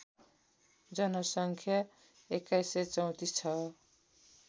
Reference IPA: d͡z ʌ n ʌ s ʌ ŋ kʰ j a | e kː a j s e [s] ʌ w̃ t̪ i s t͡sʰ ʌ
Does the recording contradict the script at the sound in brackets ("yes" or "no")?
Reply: yes